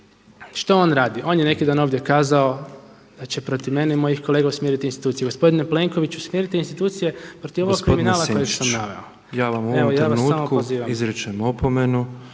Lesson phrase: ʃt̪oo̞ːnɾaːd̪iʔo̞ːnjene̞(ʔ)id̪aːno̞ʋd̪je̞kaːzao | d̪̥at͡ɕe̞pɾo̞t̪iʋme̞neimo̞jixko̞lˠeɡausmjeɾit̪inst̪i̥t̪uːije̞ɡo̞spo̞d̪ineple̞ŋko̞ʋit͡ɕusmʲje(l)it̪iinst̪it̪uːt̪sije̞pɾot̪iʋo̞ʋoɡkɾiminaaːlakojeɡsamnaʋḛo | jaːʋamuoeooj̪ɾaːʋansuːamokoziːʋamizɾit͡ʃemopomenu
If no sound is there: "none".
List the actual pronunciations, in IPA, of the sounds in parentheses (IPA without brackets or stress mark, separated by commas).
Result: k, ɾ